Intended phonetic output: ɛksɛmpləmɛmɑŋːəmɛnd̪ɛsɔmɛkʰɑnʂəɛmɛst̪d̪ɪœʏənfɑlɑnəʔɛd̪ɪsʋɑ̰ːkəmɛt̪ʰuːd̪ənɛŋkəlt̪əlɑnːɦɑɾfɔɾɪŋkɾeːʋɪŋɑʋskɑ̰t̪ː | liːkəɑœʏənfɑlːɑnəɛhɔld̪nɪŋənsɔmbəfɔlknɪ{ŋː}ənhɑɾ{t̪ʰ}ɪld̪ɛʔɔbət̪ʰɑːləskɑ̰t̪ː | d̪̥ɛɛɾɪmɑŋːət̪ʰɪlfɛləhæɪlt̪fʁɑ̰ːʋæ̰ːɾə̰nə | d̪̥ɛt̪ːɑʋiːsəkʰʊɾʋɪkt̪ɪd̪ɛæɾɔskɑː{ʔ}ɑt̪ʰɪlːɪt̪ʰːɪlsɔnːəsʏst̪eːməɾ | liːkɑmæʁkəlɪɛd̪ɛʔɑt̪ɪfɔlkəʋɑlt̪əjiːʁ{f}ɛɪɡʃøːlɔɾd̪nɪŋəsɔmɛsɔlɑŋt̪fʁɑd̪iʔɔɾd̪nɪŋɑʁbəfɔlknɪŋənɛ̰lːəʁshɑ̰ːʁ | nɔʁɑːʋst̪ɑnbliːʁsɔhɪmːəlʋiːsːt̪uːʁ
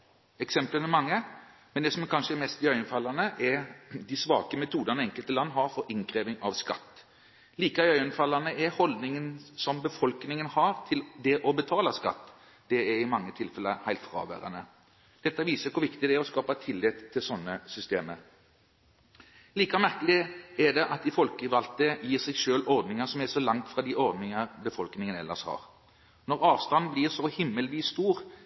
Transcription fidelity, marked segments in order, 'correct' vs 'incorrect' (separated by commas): incorrect, correct, incorrect, incorrect